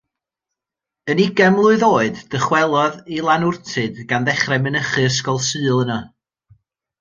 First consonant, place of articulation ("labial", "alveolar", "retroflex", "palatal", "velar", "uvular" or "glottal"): alveolar